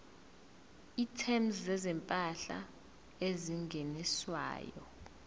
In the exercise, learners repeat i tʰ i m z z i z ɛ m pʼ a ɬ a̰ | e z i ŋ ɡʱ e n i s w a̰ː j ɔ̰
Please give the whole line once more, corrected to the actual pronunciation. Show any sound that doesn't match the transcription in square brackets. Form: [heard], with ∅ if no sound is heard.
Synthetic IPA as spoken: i tʰ [ɛ] m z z [ɛ] z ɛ m pʼ a ɬ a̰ | e z i ŋ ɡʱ e n i s w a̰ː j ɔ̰